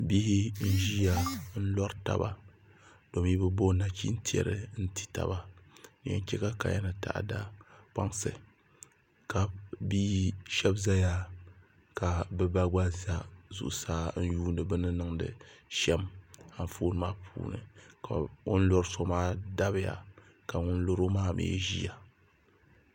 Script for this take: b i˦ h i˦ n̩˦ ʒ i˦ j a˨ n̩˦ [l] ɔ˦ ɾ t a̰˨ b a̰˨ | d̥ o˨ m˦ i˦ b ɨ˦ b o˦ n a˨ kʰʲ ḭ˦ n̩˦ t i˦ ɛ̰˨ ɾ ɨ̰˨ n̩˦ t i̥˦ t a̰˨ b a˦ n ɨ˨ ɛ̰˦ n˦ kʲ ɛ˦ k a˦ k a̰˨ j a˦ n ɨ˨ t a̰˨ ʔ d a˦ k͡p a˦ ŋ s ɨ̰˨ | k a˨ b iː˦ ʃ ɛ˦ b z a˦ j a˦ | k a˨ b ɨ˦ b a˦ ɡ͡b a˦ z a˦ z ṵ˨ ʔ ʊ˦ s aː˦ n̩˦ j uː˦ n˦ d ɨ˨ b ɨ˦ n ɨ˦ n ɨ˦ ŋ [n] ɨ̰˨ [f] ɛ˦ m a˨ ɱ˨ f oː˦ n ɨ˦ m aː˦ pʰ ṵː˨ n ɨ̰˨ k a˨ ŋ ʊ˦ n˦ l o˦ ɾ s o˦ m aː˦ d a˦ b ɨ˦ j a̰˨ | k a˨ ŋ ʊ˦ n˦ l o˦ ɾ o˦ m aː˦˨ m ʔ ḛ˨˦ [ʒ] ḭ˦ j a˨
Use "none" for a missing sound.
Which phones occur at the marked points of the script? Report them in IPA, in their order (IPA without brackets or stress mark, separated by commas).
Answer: l, d, ʃ, ʒ